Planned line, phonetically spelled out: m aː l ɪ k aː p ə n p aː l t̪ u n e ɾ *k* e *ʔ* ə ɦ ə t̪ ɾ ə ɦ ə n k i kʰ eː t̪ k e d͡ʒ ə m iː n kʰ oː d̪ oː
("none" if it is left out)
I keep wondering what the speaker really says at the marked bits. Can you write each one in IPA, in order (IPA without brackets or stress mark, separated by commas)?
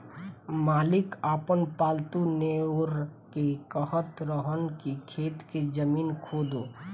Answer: k, k